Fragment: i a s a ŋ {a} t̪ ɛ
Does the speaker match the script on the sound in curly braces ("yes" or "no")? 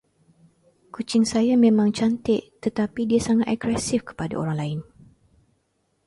yes